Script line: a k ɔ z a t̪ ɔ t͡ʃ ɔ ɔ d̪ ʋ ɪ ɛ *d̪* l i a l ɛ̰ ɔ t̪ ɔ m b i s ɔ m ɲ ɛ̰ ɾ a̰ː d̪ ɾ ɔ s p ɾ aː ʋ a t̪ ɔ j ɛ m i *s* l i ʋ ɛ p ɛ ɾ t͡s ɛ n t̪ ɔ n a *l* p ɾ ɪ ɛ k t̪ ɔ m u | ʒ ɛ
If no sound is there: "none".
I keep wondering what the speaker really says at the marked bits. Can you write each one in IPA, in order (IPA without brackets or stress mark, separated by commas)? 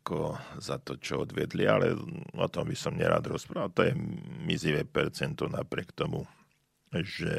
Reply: d̪, z, none